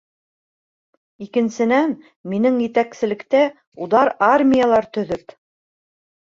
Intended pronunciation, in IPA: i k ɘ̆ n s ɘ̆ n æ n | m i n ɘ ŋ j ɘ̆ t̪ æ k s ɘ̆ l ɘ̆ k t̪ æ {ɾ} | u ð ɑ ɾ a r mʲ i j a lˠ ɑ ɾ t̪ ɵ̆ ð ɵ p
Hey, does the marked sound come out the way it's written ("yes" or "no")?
no